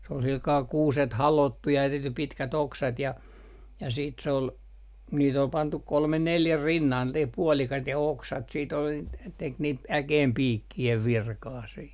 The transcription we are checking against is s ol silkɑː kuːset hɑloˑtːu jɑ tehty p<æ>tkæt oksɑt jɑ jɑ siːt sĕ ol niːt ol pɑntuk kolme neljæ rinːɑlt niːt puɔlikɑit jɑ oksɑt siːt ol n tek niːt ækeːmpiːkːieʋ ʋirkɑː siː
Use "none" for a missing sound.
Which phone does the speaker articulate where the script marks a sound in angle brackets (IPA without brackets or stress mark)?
i